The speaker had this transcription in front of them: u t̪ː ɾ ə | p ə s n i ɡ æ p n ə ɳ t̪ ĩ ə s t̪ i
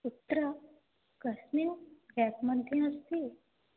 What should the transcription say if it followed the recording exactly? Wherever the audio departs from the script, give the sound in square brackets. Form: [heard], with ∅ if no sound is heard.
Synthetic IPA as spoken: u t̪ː ɾ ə | [k] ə s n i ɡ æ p [m] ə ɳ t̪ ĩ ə s t̪ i